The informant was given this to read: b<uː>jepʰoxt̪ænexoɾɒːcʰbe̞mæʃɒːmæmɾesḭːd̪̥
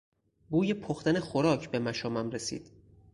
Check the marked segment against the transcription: correct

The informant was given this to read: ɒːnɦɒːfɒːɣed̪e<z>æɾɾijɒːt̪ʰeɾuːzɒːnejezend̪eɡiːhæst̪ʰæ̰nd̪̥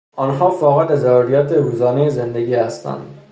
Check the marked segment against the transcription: correct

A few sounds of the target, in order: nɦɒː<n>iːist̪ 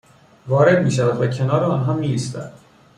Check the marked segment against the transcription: incorrect: m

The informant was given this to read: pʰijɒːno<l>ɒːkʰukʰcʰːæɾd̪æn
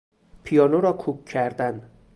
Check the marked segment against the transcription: incorrect: ɾ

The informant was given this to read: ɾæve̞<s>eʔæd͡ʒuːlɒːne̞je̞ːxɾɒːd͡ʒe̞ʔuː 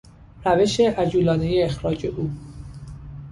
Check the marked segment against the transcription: incorrect: ʃ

